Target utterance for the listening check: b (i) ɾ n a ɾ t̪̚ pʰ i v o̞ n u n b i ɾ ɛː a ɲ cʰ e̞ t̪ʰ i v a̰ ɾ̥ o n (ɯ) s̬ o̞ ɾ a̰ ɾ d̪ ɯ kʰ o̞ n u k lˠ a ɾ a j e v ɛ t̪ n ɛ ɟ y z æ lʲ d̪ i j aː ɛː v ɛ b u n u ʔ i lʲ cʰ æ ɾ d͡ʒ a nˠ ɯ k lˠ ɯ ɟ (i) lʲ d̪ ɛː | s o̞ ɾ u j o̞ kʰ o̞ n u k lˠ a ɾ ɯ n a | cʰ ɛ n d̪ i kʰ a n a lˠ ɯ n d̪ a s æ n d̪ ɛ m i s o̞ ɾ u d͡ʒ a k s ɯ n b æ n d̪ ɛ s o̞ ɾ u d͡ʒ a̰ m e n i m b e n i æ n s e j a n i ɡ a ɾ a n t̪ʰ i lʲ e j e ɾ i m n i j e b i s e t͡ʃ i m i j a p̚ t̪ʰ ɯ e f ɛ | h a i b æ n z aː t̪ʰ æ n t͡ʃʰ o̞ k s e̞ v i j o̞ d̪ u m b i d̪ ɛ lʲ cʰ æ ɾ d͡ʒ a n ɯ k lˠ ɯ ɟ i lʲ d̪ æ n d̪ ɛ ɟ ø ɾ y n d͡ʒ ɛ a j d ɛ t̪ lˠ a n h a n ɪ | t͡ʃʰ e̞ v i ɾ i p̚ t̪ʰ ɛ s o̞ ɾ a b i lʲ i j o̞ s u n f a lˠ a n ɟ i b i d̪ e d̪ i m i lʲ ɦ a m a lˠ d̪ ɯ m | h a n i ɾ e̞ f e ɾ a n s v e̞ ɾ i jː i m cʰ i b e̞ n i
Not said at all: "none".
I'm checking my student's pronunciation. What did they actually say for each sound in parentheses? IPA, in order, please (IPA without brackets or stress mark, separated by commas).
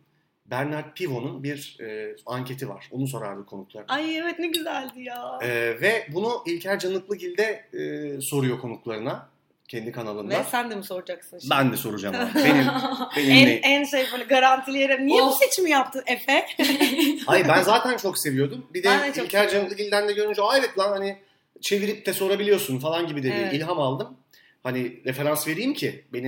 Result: æ, u, i